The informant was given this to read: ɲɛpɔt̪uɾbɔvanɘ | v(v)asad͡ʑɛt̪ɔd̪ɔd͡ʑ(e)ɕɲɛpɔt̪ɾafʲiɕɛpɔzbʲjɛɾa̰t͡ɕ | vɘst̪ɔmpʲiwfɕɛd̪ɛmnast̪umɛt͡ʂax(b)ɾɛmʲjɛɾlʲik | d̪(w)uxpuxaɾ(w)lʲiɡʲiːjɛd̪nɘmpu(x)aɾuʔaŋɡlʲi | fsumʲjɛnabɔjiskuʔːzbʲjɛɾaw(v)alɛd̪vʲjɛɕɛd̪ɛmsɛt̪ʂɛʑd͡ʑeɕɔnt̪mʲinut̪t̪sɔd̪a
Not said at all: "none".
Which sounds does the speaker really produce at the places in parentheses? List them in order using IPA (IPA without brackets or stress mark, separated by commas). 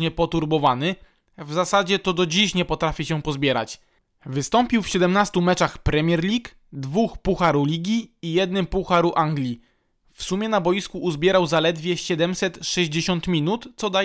z, i, p, v, u, x, z